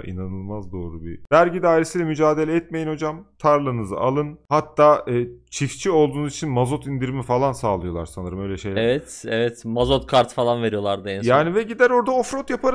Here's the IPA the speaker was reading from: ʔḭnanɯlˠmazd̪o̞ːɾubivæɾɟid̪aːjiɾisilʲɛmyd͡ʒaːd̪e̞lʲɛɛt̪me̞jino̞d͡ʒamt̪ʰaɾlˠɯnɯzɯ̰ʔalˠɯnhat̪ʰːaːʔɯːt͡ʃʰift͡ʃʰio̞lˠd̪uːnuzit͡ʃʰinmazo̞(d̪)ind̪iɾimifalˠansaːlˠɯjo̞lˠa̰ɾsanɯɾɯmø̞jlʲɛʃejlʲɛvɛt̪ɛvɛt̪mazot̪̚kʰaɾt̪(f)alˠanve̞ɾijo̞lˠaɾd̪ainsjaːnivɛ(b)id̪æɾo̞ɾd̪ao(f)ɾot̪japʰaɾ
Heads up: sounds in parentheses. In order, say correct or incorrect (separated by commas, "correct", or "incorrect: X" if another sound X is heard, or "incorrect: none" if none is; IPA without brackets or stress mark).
incorrect: t̪, correct, incorrect: ɟ, correct